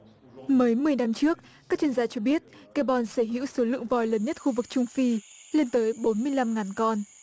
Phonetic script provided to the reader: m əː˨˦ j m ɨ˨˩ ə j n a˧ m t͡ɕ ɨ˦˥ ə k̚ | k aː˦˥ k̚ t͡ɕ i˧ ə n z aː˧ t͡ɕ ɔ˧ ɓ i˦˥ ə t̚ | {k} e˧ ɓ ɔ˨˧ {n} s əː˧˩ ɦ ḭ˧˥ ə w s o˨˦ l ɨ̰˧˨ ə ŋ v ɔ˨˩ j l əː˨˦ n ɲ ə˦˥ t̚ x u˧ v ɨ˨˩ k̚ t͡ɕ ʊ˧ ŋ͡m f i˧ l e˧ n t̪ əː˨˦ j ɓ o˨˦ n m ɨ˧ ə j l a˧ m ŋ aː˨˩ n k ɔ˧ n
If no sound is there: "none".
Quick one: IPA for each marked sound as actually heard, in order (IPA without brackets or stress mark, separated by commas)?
k, n